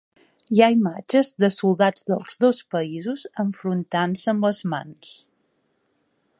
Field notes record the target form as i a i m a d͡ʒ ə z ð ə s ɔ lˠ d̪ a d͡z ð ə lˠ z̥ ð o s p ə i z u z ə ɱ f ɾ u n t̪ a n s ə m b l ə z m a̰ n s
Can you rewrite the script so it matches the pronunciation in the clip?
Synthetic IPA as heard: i a i m a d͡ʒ ə z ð ə s u lˠ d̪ a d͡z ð ə lˠ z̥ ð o s p ə i z u z ə ɱ f ɾ u n t̪ a n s ə m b l ə z m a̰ n s